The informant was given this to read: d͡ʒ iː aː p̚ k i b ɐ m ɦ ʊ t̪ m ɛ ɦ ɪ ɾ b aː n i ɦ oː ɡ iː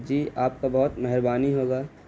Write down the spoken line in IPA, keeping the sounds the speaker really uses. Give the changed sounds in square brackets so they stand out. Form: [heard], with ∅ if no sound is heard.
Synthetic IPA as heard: d͡ʒ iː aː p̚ k [a] b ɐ [∅] ɦ ʊ t̪ m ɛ ɦ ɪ ɾ b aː n i ɦ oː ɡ [aː]

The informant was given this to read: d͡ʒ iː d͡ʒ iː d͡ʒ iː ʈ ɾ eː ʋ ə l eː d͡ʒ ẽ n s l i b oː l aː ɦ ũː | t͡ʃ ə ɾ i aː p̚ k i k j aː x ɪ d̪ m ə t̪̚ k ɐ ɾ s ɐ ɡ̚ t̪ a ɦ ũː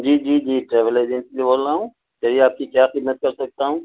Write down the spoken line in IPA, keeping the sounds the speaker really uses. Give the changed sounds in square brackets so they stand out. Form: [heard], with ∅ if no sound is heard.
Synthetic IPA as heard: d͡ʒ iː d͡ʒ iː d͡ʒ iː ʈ ɾ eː ʋ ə l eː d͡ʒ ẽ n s l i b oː l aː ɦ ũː | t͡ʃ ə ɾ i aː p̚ k i k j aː x ɪ d̪ m ə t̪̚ k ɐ ɾ s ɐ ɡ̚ t̪ a ɦ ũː

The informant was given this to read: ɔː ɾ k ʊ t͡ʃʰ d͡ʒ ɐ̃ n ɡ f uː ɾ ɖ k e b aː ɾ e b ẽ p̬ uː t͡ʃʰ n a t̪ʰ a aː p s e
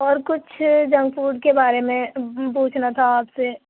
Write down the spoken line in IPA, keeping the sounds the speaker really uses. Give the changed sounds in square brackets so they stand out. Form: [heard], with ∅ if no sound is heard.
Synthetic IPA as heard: ɔː ɾ k ʊ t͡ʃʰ d͡ʒ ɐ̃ [ŋ] ɡ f uː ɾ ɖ k e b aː ɾ e [m] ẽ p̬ uː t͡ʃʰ n a t̪ʰ a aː p s e

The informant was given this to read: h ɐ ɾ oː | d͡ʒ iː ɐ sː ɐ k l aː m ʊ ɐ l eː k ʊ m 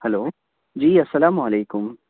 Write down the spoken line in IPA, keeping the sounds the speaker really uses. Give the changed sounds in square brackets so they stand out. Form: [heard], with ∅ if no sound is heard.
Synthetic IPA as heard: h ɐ [l] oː | d͡ʒ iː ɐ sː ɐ [∅] l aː m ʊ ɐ l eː k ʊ m

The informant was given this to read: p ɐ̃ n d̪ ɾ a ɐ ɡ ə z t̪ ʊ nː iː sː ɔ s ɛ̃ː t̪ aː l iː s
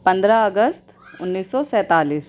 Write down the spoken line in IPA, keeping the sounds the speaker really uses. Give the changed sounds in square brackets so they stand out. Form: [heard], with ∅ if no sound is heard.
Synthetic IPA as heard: p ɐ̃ n d̪ ɾ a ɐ ɡ ə [s] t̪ ʊ nː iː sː ɔ s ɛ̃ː t̪ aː l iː s

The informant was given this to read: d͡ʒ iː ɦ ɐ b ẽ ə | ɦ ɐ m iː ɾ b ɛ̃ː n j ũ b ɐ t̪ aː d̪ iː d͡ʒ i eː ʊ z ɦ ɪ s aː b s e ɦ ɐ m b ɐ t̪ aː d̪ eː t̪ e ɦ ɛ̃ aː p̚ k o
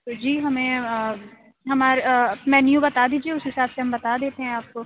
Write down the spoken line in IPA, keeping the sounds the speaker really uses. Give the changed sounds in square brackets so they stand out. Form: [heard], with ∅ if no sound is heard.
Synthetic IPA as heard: d͡ʒ iː ɦ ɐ [m] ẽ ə | ɦ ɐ m [aː] ɾ [m] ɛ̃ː n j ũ b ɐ t̪ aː d̪ iː d͡ʒ i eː ʊ [s] ɦ ɪ s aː b s e ɦ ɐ m b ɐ t̪ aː d̪ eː t̪ e ɦ ɛ̃ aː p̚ k o

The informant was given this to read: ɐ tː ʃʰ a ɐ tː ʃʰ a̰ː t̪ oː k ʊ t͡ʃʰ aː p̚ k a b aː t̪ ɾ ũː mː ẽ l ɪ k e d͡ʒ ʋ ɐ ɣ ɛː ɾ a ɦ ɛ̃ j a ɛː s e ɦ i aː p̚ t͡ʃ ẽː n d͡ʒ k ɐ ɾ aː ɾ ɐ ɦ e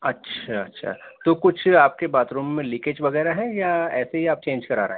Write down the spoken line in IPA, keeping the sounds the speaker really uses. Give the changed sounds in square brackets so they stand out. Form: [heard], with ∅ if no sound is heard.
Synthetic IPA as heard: ɐ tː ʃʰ a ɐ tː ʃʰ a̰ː t̪ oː k ʊ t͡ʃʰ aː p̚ k [e] b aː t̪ ɾ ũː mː ẽ l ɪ k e d͡ʒ ʋ ɐ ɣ ɛː ɾ a ɦ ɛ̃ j a ɛː s e ɦ i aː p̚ t͡ʃ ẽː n d͡ʒ k ɐ ɾ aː ɾ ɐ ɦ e

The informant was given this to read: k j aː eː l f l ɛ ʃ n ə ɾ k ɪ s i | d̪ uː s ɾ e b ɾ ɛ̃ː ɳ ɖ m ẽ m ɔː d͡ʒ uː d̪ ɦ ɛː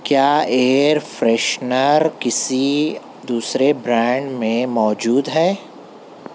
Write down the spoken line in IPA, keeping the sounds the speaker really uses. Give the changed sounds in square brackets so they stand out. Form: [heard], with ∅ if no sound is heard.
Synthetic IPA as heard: k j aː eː [ɾ] f [ɾ] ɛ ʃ n ə ɾ k ɪ s i | d̪ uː s ɾ e b ɾ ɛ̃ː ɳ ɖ m ẽ m ɔː d͡ʒ uː d̪ ɦ ɛː

